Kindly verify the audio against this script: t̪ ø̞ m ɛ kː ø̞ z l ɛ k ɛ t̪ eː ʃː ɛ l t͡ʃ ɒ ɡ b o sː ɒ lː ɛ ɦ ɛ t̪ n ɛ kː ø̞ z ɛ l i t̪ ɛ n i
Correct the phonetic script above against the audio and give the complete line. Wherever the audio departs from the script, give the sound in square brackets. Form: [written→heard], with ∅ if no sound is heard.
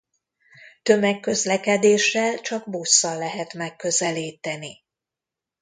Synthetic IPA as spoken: t̪ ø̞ m ɛ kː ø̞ z l ɛ k ɛ [t̪→d̪] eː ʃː ɛ l t͡ʃ ɒ ɡ b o sː ɒ lː ɛ ɦ ɛ t̪ [n→m] ɛ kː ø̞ z ɛ l [i→iː] t̪ ɛ n i